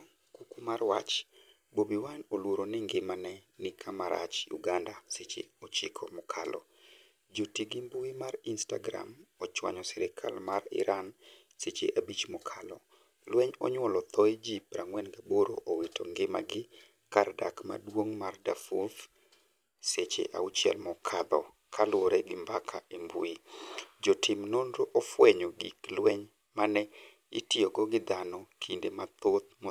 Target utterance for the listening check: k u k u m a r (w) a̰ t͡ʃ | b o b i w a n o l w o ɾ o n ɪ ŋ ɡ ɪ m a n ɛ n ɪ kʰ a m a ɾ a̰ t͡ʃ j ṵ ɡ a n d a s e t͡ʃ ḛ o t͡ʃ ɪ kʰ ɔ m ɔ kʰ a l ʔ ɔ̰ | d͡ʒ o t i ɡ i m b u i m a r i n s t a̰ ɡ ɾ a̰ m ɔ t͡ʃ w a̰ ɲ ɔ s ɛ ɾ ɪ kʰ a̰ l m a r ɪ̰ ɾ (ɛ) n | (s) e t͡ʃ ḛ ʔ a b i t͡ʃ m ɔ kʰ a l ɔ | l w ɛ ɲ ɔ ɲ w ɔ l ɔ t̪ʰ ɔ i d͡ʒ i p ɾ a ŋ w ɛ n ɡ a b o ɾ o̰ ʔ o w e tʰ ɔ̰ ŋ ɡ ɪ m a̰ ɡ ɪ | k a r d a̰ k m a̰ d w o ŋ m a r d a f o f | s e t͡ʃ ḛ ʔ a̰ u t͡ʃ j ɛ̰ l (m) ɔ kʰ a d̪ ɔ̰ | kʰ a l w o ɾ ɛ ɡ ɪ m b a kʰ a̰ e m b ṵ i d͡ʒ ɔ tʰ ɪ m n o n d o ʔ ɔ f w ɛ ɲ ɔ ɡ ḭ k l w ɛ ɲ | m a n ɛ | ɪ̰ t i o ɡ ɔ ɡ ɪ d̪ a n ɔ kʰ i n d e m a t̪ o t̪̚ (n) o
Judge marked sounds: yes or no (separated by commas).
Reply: yes, no, yes, yes, no